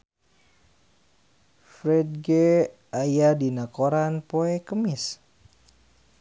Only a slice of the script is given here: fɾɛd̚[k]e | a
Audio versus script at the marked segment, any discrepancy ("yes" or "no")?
yes